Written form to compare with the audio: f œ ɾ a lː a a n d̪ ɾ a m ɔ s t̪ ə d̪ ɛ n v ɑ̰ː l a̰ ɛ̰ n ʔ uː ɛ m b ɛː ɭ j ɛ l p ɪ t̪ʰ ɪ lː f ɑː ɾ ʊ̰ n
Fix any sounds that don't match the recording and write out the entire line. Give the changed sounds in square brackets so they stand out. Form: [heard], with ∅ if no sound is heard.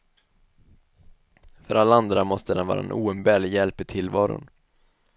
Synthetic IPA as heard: f œ ɾ a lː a a n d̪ ɾ a m ɔ s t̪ ə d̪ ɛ n v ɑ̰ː [ɾ] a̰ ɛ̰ n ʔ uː ɛ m b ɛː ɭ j ɛ l p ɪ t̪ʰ ɪ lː [v] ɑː ɾ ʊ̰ n